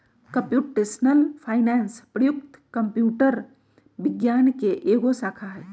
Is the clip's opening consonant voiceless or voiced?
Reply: voiceless